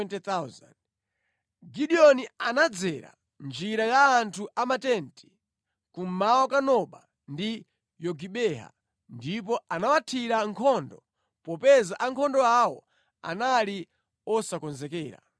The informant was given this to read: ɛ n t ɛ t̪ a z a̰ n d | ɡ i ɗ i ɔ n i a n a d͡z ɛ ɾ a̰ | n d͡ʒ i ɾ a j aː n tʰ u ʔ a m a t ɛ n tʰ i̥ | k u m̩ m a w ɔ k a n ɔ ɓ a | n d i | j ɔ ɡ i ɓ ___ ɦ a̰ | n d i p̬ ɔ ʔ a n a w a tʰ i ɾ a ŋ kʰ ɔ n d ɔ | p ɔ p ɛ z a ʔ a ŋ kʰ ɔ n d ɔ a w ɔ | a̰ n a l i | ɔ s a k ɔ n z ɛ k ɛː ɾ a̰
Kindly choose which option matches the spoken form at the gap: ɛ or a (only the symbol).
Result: ɛ